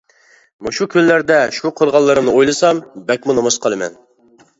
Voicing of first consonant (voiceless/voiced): voiced